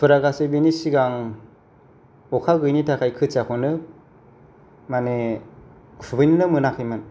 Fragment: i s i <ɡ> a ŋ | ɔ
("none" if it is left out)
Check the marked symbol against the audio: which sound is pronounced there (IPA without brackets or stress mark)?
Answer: ɡ